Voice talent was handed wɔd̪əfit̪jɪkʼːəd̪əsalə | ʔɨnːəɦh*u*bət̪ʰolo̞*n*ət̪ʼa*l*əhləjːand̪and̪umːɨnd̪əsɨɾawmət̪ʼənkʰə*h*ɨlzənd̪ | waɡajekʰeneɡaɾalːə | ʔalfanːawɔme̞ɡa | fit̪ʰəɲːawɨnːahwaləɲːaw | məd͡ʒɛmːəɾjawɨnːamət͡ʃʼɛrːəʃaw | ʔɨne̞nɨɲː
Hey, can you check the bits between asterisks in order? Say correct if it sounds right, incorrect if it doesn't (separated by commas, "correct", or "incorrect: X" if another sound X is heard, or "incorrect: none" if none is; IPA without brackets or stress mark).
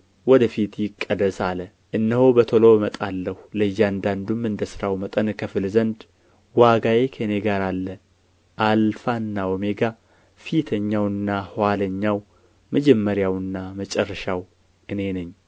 incorrect: o, incorrect: m, incorrect: lː, incorrect: f